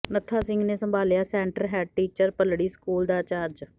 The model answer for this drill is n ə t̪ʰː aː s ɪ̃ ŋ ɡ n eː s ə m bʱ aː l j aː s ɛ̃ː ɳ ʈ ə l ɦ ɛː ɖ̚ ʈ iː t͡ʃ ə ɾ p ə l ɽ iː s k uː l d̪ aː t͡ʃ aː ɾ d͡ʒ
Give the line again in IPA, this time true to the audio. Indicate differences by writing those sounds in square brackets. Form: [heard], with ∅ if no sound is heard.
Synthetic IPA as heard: n ə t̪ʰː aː s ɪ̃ ŋ ɡ n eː s ə m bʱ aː l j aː s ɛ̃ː ɳ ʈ ə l ɦ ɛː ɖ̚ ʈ iː t͡ʃ ə ɾ p ə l ɽ iː s k uː l d̪ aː t͡ʃ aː ɾ d͡ʒ